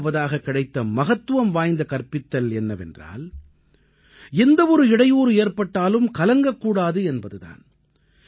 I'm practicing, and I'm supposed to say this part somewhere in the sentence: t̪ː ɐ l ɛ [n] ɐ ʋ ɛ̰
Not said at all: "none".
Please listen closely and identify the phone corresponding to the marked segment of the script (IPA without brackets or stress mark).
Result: nː